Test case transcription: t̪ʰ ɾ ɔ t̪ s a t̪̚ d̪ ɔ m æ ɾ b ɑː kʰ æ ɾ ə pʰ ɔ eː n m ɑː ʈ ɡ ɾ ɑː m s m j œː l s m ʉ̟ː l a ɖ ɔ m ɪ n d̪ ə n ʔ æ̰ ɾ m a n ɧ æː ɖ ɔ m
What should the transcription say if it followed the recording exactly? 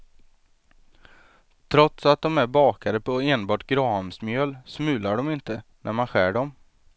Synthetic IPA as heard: t̪ʰ ɾ ɔ t̪ s a t̪̚ d̪ ɔ m æ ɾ b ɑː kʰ a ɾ ə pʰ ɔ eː n b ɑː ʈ ɡ ɾ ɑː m s m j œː l s m ʉ̟ː l a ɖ ɔ m ɪ n t̪ ə n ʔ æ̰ ɾ m a n ɧ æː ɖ ɔ m